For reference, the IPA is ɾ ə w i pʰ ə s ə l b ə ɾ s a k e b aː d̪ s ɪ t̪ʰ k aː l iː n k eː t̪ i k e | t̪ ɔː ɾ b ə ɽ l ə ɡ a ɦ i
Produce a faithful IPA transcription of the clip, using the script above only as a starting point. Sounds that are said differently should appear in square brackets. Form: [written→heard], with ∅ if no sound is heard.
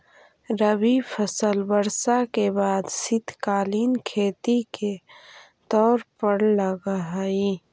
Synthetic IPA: ɾ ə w i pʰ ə s ə l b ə ɾ s a k e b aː d̪ s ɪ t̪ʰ k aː l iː n [k→kʰ] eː t̪ i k e | t̪ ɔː ɾ [b→p] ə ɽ l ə ɡ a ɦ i